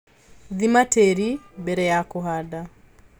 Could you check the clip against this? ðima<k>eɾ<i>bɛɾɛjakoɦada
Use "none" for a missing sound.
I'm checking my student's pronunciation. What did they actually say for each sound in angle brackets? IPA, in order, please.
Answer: t, i

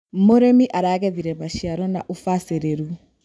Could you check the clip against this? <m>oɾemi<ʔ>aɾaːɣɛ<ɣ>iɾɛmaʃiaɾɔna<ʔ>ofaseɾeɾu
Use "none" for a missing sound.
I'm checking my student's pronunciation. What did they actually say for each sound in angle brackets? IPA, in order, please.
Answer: m, ʔ, ð, ʔ

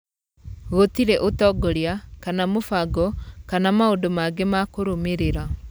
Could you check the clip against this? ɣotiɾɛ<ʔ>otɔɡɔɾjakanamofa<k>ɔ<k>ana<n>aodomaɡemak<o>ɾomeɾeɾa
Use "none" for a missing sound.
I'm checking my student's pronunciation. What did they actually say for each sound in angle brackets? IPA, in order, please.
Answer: ʔ, ɡ, k, m, o

